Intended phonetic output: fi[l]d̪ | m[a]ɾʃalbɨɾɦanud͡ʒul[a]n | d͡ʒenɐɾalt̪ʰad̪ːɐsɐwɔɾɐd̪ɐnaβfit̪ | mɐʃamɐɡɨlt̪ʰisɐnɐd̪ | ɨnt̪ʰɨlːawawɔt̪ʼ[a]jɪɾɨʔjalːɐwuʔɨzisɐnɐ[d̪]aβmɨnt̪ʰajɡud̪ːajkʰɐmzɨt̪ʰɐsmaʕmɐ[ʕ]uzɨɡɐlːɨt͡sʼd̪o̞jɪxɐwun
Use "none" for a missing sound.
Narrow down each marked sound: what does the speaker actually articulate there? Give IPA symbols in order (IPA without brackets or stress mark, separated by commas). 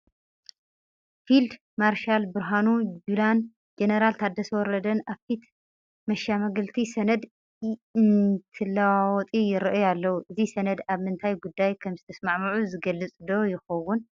l, a, a, i, d̪, ʕ